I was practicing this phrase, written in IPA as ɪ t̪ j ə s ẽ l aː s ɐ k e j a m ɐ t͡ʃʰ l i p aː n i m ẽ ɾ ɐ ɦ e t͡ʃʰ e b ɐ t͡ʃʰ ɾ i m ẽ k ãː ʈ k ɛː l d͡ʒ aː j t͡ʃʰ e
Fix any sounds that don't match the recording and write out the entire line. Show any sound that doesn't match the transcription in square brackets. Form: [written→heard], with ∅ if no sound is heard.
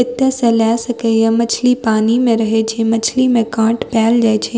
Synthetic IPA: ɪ t̪ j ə s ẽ l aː s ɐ k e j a m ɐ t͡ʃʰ l i p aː n i m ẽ ɾ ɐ ɦ e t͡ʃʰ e [b→m] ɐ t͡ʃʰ [ɾ→l] i m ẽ k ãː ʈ [k→p] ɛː l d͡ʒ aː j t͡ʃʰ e

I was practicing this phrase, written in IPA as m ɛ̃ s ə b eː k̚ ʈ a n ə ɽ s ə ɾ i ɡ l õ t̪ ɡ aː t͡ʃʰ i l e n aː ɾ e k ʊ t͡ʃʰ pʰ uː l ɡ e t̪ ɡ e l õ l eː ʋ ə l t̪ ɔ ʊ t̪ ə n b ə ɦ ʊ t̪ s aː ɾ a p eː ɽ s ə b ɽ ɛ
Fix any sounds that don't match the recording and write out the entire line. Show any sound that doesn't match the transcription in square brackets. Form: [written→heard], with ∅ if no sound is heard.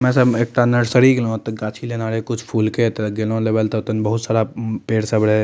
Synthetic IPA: m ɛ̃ s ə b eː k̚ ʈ a n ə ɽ s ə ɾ i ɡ l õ t̪ ɡ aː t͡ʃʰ i l e n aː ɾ e k ʊ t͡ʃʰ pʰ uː l [ɡ→k] e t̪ ɡ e l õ l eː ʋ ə l t̪ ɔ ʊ t̪ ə n b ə ɦ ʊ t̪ s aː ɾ a p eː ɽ s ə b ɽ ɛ

